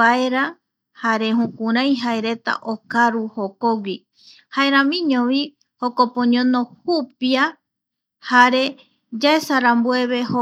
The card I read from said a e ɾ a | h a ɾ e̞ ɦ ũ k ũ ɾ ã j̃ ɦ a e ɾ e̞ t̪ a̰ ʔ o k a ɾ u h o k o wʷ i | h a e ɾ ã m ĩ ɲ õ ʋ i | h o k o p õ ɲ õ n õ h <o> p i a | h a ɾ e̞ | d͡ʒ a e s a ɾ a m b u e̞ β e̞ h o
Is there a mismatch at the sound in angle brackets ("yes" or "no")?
yes